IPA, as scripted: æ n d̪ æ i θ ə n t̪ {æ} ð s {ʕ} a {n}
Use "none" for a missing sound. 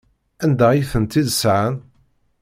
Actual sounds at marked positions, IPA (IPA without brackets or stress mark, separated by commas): i, ʕ, n